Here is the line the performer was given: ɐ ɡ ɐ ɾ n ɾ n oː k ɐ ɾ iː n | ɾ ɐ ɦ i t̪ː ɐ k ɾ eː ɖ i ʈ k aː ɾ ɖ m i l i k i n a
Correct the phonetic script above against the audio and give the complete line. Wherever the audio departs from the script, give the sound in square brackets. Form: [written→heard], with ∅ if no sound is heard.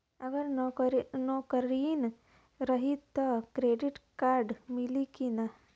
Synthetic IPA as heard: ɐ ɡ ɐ ɾ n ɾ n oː k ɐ ɾ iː n | ɾ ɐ ɦ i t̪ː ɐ k ɾ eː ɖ i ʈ k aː ɾ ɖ m i l i k i n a